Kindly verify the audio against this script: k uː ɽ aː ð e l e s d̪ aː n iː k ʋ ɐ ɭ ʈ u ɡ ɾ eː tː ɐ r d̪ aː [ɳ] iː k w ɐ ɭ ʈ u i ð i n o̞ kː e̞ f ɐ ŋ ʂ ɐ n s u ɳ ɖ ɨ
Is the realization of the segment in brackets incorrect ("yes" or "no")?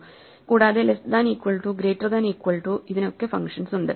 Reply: yes